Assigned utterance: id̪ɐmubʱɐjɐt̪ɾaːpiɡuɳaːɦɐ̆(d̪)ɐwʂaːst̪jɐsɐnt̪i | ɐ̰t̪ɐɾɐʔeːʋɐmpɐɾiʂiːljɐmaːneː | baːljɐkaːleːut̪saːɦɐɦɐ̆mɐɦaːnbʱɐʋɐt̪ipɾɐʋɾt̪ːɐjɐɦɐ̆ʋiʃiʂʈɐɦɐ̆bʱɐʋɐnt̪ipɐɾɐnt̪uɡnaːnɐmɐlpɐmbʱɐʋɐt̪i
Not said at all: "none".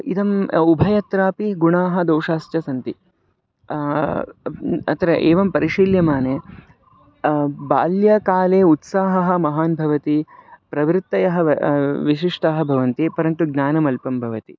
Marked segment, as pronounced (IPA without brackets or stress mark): d̪